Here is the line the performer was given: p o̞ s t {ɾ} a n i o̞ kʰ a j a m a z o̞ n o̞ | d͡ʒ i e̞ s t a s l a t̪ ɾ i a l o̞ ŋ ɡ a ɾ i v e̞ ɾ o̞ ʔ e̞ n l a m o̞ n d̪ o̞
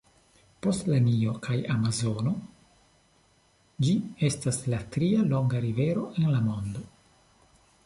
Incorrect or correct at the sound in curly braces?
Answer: incorrect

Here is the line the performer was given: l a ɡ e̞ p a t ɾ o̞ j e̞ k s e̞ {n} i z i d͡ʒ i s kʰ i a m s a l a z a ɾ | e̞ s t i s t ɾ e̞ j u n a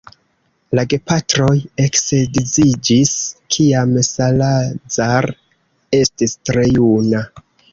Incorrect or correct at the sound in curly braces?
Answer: incorrect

